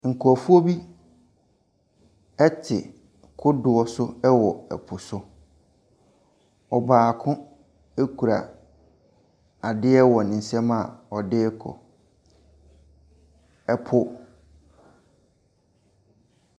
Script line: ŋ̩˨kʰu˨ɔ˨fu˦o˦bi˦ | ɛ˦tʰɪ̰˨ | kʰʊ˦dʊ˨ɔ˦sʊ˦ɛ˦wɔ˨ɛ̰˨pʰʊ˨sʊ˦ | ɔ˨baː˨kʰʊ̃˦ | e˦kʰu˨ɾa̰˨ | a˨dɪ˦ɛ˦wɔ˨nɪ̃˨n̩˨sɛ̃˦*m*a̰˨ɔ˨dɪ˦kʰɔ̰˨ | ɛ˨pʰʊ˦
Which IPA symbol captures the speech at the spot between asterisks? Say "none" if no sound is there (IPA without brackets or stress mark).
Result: m